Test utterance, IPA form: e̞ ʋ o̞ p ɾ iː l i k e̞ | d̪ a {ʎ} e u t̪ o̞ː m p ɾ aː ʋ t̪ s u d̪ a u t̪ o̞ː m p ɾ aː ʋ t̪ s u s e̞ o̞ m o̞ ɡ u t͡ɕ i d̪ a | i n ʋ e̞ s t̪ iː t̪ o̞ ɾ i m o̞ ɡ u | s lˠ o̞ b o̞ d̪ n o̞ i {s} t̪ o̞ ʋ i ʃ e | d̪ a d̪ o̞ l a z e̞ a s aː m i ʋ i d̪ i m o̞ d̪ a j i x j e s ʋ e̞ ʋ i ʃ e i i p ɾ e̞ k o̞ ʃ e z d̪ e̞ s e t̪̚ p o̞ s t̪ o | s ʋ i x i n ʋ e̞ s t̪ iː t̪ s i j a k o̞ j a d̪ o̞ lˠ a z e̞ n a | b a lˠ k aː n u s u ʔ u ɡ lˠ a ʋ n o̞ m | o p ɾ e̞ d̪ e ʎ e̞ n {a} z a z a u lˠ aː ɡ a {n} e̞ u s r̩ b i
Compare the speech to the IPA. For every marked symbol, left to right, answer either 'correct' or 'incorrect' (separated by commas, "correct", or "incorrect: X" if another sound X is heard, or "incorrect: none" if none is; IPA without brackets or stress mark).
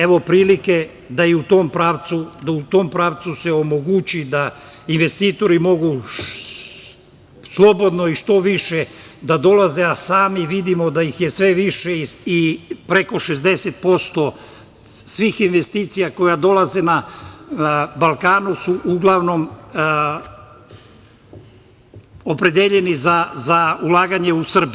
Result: incorrect: j, incorrect: ʃ, incorrect: i, incorrect: ɲ